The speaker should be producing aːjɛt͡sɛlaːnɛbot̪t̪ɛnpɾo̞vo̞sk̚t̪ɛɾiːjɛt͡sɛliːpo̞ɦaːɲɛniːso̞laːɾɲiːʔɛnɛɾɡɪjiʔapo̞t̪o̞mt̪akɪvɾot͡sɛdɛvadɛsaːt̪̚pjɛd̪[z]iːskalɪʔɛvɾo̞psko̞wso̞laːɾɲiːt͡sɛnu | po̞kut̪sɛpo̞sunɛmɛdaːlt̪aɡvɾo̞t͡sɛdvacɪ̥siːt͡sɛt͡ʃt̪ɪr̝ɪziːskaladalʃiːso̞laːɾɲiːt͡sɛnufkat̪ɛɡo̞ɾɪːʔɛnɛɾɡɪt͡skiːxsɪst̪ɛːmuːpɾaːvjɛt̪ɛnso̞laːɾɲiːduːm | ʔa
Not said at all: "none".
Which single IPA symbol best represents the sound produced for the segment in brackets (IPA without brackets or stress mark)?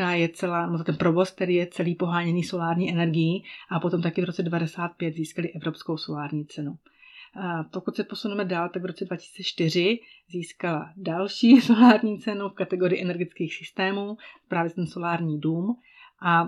z